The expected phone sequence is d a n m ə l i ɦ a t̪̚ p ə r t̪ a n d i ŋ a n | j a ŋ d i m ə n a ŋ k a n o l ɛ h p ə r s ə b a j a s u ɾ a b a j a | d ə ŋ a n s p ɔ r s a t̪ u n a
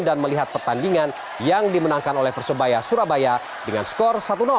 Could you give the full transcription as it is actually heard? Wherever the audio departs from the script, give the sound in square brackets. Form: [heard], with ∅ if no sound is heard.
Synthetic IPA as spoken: d a n m ə l i ɦ a t̪̚ p ə r t̪ a n d i ŋ a n | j a ŋ d i m ə n a ŋ k a n o l ɛ h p ə r s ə b a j a s u ɾ a b a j a | d ə ŋ a n s [k] ɔ r s a t̪ u n a